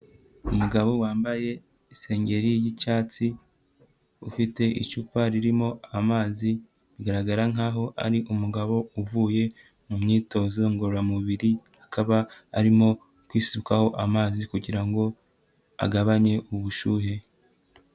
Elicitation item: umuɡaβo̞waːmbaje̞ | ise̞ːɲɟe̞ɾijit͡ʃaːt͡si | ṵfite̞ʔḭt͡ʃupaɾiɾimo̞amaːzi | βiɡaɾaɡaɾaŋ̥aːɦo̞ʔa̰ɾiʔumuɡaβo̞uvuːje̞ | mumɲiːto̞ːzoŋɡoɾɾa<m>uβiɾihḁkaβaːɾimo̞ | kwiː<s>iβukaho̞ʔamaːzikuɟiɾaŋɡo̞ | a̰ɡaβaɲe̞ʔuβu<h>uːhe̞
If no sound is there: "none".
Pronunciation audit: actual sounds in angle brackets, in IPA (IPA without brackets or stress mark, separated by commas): m, s, ʃ